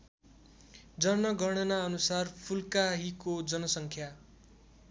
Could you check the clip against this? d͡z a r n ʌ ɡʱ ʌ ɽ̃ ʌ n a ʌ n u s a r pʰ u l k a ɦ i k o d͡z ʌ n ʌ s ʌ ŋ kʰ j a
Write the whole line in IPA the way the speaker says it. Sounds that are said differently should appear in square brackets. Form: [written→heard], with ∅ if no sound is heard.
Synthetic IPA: d͡z [a→ʌ] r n ʌ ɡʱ ʌ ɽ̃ ʌ n a ʌ n u s a r pʰ u l k a ɦ i k o d͡z ʌ n ʌ s ʌ ŋ kʰ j a